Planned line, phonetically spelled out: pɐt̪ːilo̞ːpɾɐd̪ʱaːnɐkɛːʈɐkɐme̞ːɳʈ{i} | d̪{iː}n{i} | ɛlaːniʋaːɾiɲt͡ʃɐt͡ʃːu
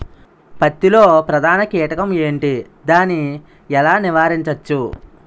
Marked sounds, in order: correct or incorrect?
correct, incorrect, correct

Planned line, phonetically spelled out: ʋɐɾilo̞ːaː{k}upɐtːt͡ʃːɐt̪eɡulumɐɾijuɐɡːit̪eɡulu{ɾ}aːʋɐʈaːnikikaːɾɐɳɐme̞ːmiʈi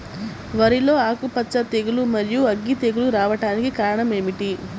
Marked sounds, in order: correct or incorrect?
correct, correct

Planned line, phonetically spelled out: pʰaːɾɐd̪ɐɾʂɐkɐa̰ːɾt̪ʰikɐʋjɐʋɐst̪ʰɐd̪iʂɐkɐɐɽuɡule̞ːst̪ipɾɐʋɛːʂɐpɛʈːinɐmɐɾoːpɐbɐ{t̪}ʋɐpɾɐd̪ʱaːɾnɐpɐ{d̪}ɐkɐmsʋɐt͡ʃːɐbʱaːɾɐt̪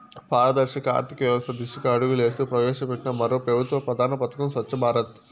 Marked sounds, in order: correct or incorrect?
correct, incorrect

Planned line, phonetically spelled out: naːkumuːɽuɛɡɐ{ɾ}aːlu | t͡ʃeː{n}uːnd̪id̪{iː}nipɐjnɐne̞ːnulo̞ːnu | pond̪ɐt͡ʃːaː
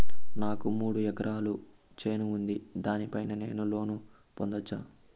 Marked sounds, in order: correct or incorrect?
correct, correct, incorrect

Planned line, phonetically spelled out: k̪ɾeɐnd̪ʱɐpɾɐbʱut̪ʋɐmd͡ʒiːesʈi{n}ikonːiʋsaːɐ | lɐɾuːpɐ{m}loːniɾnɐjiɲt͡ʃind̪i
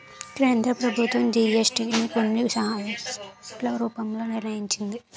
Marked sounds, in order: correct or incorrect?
correct, correct

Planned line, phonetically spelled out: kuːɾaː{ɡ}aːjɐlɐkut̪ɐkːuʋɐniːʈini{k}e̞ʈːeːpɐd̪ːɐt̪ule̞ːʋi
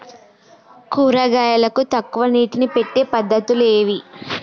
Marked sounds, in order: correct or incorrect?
correct, incorrect

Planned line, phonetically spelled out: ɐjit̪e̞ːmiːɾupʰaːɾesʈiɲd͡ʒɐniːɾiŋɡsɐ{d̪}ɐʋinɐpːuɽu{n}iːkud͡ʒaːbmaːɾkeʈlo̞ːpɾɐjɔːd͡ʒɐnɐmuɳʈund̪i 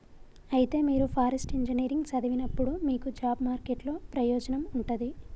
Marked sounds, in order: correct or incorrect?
correct, incorrect

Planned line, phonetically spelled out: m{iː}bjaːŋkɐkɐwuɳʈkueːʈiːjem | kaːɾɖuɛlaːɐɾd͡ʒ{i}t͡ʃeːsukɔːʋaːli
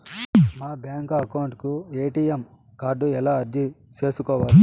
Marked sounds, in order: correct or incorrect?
incorrect, correct

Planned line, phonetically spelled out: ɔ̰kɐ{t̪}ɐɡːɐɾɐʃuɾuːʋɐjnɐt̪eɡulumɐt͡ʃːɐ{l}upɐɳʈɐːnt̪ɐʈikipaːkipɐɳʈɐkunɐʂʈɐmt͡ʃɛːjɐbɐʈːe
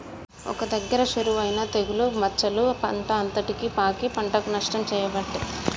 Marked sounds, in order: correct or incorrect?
incorrect, correct

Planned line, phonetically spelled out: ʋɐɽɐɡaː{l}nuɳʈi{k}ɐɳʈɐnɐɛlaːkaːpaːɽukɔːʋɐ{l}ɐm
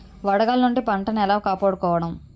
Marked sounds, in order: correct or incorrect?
correct, incorrect, incorrect

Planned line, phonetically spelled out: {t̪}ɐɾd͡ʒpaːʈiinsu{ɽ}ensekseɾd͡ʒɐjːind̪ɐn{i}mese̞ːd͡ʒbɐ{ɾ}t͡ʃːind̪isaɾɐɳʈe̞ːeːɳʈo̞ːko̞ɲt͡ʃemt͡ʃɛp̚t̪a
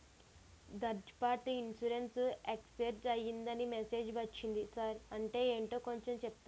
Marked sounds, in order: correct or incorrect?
incorrect, incorrect, correct, incorrect

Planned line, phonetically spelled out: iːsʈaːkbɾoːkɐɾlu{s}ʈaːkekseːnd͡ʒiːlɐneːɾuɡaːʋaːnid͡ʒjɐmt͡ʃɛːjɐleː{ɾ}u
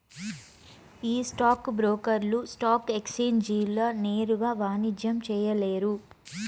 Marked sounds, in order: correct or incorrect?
correct, correct

